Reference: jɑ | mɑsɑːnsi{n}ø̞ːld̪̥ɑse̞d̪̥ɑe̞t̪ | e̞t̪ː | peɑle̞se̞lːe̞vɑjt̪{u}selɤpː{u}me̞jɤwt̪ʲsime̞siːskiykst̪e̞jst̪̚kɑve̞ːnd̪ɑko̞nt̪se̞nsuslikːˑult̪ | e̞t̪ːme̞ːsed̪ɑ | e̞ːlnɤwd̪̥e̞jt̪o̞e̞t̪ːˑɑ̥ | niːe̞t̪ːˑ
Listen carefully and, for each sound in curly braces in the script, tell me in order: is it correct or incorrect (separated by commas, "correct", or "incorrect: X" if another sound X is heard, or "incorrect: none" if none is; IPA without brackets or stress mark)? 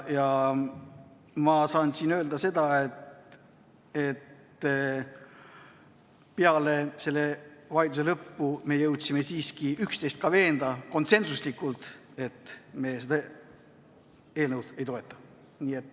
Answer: correct, correct, correct